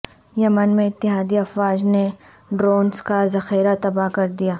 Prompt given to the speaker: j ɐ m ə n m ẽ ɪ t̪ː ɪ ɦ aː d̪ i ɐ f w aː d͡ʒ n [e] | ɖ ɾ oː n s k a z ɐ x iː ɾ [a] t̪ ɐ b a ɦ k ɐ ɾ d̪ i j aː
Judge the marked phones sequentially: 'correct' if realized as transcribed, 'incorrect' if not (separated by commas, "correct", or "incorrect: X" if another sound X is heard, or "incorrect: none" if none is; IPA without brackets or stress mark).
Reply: correct, correct